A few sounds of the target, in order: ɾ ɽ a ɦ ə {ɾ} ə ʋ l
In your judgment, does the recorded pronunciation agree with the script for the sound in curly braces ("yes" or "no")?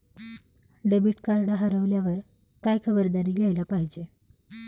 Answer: yes